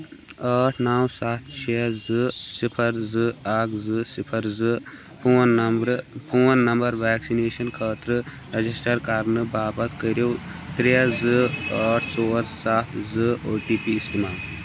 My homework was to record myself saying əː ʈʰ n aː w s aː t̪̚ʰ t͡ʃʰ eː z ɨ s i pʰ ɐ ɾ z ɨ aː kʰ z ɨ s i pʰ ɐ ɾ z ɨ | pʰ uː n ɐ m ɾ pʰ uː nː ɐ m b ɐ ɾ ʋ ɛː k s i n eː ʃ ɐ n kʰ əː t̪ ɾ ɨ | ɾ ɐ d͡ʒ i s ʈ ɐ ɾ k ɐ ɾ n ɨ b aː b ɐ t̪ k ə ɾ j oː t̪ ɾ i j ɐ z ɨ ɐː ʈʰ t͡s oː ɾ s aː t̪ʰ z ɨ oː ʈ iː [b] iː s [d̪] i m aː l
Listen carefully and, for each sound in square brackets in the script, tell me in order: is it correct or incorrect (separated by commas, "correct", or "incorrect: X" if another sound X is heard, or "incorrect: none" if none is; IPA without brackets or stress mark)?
incorrect: p, incorrect: t̪